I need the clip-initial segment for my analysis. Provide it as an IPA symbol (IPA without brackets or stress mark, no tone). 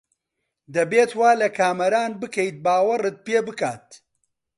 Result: d̪